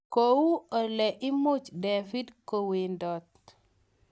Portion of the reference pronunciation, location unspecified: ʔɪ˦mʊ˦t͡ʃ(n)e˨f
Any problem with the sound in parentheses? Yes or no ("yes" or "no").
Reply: yes